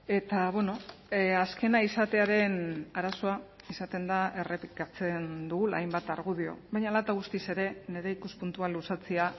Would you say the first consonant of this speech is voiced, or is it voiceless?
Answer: voiceless